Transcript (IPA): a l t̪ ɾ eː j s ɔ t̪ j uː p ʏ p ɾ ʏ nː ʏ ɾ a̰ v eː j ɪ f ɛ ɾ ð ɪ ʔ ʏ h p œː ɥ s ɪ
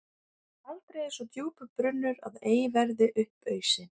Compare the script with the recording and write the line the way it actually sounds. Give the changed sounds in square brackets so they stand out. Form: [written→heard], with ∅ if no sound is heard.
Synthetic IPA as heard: a l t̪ ɾ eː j s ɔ t̪ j uː p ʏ p ɾ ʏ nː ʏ ɾ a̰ [v→ð] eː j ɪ [f→v] ɛ ɾ ð ɪ ʔ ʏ h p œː ɥ s ɪ